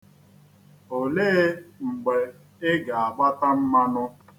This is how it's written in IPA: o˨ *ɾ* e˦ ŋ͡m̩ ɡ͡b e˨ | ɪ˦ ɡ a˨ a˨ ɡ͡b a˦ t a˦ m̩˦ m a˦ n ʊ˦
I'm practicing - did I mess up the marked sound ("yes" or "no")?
yes